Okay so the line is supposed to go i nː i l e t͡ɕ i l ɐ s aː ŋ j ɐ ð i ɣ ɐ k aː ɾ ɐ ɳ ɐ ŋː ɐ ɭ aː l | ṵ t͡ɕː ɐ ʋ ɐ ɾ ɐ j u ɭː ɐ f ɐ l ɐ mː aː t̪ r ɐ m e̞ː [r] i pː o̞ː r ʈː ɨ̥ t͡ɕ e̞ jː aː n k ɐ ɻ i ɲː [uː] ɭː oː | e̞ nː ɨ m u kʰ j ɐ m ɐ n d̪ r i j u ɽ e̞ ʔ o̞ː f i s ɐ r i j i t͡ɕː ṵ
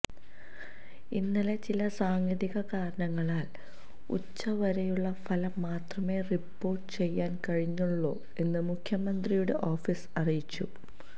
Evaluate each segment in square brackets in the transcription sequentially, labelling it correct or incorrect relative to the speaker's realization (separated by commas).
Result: correct, incorrect